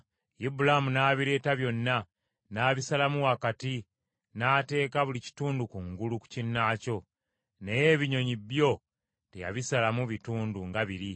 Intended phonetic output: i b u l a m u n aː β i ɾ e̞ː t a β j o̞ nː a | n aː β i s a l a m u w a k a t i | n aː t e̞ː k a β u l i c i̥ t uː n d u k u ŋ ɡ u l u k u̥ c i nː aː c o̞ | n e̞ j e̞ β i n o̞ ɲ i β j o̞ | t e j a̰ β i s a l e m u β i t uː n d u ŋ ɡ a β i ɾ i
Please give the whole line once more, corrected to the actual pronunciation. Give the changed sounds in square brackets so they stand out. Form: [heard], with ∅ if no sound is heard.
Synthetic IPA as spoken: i b u l a m u n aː β i ɾ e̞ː t a β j o̞ nː a | n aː β i s a l a m u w a k a t i | n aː t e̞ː k a β u l i c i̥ t uː n d u k u ŋ ɡ u l u k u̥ c i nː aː c o̞ | n e̞ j e̞ β i [ɲ] o̞ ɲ i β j o̞ | t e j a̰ β i s a l [a] m u β i t uː n d u ŋ ɡ a β i ɾ i